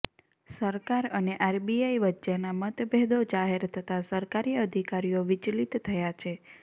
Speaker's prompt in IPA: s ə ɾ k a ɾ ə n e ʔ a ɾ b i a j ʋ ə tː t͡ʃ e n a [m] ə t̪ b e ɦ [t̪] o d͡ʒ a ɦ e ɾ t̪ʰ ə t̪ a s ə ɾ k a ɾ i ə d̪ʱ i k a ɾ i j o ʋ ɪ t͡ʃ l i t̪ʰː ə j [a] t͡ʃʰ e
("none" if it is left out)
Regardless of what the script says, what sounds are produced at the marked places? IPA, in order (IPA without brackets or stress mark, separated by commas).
m, d̪, a